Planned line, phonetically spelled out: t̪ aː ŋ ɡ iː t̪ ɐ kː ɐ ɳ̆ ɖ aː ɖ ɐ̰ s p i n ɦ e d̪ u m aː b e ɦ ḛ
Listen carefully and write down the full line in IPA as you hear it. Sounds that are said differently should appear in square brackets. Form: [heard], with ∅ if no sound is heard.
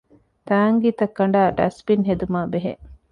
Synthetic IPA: t̪ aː ŋ ɡ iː t̪ ɐ kː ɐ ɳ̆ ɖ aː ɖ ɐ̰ s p i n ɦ e d̪ u m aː b e ɦ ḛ